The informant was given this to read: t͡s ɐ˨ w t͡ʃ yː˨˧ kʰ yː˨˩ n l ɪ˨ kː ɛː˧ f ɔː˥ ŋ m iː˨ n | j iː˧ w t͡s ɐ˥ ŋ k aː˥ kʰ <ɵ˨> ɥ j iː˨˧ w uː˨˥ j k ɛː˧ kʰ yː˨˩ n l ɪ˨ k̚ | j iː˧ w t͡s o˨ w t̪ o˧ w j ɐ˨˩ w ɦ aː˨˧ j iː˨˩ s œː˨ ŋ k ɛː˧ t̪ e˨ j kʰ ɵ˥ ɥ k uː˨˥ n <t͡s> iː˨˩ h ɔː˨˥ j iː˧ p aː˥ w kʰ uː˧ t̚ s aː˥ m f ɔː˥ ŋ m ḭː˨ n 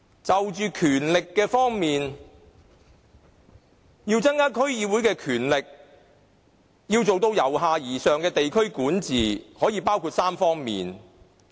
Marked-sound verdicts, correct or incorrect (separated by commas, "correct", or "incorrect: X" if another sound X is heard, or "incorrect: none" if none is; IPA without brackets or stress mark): incorrect: ɵ˥, correct